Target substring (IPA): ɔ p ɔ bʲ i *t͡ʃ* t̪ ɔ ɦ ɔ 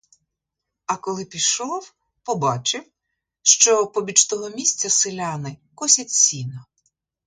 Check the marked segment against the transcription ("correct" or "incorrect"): correct